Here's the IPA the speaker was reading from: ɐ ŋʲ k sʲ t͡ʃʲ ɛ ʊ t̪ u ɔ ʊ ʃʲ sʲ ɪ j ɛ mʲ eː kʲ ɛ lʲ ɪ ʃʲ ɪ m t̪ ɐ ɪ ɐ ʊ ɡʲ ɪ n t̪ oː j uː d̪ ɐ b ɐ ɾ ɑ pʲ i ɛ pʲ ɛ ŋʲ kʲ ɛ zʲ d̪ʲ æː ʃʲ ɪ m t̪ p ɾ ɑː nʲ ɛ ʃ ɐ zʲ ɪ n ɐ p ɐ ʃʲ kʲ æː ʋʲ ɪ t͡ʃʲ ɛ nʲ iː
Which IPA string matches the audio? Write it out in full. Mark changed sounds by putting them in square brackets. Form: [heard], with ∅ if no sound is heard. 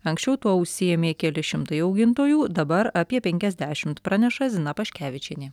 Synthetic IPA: ɐ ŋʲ k sʲ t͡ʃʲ ɛ ʊ t̪ u ɔ ʊ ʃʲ sʲ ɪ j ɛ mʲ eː kʲ ɛ lʲ ɪ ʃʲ ɪ m t̪ ɐ ɪ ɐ ʊ ɡʲ ɪ n t̪ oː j uː d̪ ɐ b ɐ ɾ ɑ pʲ i ɛ pʲ ɛ ŋʲ kʲ ɛ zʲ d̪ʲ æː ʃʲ ɪ m t̪ p ɾ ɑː nʲ ɛ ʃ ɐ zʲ ɪ n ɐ p ɐ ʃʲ kʲ æː ʋʲ ɪ t͡ʃʲ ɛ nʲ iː